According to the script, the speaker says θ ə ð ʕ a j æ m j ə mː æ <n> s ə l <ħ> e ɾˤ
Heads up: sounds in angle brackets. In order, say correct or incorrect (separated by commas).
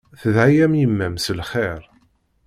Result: incorrect, incorrect